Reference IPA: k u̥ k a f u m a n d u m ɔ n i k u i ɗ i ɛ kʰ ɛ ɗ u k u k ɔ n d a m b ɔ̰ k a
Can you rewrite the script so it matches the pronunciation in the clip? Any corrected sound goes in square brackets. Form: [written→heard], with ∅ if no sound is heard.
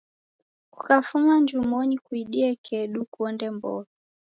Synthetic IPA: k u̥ k a f u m a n [d→d͡ʒ] u m ɔ n i k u i ɗ i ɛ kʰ ɛ ɗ u k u [k→∅] ɔ n d [a→ɛ] m b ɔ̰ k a